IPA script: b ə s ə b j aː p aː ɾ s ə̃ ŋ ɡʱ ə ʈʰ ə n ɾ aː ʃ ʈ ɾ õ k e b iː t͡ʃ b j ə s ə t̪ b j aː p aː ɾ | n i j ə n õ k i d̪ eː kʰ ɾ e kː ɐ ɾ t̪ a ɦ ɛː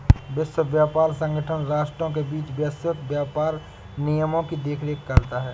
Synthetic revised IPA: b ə s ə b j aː p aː ɾ s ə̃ ŋ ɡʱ ə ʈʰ ə n ɾ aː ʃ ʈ ɾ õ k e b iː t͡ʃ b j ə s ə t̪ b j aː p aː ɾ | n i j ə m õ k i d̪ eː kʰ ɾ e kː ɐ ɾ t̪ a ɦ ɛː